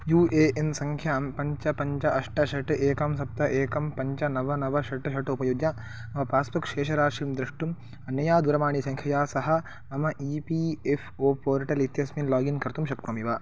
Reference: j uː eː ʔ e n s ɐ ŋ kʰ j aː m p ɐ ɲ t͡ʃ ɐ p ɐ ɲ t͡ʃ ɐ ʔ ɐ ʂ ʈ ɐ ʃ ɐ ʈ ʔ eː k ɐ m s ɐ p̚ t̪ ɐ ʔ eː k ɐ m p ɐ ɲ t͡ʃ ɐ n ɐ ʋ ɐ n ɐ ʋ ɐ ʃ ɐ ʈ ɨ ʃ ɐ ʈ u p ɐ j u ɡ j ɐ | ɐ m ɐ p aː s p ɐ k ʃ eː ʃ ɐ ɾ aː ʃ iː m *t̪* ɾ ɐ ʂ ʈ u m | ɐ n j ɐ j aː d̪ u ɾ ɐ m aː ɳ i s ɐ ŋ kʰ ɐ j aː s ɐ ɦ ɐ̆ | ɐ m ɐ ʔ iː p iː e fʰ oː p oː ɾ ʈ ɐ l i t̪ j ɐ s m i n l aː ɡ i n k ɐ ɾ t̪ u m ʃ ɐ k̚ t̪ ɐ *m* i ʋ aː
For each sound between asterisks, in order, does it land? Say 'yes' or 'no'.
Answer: no, yes

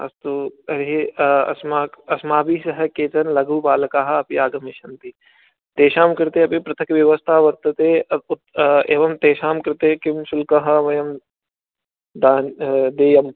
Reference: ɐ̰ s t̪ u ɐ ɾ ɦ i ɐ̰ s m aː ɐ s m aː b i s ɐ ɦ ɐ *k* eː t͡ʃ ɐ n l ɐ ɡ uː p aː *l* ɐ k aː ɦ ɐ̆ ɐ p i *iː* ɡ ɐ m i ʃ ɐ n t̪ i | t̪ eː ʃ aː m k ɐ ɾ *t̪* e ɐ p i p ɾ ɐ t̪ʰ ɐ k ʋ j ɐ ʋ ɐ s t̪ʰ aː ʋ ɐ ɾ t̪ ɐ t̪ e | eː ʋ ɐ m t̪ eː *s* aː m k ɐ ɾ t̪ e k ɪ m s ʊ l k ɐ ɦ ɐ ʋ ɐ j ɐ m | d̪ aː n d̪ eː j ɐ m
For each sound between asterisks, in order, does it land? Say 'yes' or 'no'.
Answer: yes, yes, no, yes, no

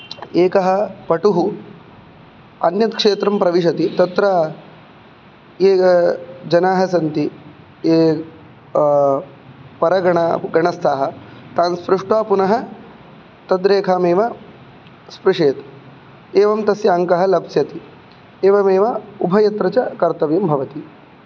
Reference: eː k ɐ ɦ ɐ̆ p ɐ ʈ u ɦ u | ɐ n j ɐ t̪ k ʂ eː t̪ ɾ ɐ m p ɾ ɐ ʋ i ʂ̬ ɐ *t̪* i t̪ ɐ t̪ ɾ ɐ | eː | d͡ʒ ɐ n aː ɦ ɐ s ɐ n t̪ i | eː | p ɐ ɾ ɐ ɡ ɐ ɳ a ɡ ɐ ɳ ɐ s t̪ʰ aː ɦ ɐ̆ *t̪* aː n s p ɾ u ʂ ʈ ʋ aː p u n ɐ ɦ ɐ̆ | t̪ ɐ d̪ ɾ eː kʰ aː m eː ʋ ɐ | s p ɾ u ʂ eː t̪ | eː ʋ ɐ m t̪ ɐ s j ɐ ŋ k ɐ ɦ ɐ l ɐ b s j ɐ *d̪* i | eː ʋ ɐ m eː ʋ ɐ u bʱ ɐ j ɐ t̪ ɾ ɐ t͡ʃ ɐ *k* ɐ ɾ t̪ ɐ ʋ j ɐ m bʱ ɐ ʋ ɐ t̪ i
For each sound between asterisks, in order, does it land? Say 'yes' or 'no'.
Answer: yes, yes, no, yes

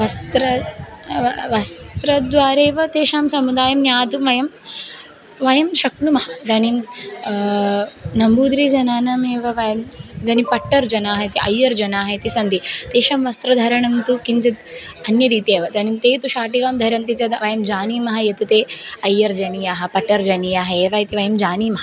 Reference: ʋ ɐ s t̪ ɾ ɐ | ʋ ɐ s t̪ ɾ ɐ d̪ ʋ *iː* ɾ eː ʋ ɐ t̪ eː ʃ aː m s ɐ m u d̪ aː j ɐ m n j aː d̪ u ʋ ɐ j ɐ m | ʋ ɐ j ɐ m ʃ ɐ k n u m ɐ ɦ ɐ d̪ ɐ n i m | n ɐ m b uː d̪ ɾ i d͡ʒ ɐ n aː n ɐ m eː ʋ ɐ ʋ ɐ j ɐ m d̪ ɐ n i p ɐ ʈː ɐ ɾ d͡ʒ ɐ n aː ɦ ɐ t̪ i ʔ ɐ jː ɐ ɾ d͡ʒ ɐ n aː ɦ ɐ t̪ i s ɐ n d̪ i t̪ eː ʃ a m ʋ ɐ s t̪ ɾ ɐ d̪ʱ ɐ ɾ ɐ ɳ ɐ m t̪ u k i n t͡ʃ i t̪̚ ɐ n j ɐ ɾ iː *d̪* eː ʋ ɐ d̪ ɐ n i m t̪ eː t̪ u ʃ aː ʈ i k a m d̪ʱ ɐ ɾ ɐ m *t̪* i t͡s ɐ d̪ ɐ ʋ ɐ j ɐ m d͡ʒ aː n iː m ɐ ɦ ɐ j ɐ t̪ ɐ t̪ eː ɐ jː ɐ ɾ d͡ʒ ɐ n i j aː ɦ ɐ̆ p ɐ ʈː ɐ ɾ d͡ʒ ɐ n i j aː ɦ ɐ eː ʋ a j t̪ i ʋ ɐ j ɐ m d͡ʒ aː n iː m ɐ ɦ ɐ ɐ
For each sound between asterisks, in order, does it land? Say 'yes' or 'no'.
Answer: no, no, yes

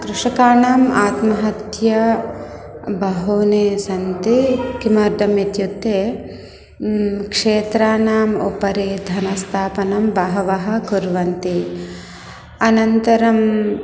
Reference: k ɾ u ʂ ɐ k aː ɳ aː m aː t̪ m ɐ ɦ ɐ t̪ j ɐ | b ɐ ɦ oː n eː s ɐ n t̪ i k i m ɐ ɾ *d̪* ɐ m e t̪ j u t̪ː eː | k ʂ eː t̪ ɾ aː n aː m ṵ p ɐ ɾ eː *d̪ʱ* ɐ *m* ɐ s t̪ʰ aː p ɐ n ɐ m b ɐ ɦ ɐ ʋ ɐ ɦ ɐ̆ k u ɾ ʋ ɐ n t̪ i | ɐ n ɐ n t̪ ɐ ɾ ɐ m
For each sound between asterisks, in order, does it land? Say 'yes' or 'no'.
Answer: yes, yes, no

